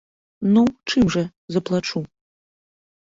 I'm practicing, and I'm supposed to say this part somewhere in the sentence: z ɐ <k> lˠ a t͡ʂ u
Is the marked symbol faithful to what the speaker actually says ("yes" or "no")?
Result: no